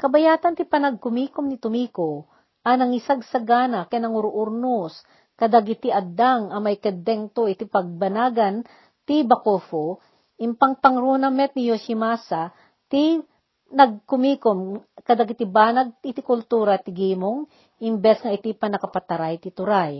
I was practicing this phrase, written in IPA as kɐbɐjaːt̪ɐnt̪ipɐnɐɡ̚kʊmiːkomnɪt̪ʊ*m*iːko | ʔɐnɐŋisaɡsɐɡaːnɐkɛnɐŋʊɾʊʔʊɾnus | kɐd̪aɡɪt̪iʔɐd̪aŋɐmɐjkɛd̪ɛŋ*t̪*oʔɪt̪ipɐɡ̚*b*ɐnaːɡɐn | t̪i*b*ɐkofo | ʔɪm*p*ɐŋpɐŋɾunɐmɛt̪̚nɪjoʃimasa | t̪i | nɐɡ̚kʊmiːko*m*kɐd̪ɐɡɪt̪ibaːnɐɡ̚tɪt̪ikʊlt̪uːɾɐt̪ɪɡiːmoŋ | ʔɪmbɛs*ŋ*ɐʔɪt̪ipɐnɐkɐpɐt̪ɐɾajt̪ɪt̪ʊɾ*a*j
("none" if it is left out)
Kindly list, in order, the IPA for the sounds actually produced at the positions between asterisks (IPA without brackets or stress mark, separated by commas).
m, t̪, b, b, p, m, ŋ, a